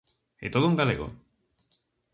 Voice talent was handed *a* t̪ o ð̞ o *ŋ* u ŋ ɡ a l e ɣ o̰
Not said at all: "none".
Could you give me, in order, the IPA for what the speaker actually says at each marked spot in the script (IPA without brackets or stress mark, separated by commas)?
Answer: e, none